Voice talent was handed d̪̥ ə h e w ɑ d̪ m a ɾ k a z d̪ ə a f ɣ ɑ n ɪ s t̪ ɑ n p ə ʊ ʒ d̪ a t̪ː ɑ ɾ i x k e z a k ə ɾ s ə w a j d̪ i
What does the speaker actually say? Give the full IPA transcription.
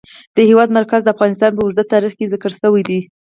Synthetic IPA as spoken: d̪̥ ə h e w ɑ d̪ m a ɾ k a z d̪ ə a f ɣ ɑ n ɪ s t̪ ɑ n p ə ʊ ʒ d̪ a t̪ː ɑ ɾ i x k e z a k ə ɾ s ə w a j d̪ i